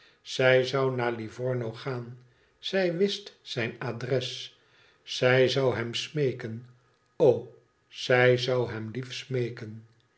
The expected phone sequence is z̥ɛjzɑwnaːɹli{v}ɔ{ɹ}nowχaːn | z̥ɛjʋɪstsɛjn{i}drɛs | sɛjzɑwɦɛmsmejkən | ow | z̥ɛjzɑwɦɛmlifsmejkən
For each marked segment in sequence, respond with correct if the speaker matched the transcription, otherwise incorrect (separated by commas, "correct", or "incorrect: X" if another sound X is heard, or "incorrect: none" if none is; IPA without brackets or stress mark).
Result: correct, correct, incorrect: a